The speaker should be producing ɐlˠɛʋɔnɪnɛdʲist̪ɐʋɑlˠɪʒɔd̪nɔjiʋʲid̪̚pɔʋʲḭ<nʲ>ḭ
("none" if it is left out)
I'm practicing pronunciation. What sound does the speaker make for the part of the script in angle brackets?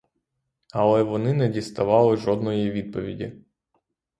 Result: dʲ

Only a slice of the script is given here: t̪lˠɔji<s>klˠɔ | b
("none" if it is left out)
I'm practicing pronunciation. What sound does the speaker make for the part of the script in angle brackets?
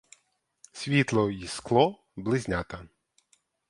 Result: s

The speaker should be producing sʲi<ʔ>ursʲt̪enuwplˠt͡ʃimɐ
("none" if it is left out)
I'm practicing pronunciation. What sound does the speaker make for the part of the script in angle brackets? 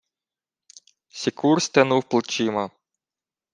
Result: k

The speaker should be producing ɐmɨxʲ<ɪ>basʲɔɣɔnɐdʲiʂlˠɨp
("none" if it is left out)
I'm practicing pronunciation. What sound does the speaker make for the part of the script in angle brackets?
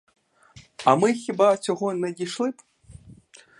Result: i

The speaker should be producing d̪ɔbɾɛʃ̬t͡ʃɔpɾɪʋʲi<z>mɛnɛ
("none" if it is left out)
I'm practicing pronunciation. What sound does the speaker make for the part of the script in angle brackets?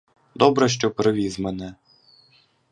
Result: z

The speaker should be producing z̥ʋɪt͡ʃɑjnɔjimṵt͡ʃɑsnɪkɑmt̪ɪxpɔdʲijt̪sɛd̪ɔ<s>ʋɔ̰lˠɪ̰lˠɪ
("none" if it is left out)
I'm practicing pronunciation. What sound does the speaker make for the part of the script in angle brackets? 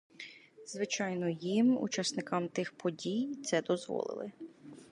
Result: z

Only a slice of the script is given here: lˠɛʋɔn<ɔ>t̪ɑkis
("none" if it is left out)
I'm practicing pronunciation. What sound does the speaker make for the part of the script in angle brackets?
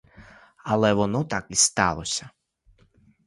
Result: ɔ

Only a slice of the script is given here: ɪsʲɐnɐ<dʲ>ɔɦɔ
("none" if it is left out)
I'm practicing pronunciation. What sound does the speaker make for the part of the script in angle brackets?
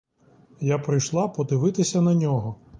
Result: nʲ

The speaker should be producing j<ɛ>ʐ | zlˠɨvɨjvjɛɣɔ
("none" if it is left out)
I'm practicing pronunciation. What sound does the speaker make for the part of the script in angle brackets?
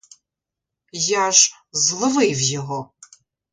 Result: a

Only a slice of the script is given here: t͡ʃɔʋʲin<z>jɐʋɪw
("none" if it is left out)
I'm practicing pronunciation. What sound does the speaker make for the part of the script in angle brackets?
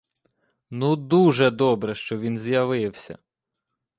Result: z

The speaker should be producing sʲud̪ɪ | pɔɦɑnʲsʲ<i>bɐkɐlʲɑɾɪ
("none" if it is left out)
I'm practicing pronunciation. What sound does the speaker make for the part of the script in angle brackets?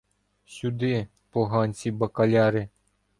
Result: i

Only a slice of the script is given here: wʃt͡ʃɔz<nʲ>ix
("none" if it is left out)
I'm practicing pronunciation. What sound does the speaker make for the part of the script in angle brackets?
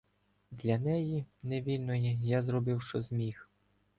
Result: mʲ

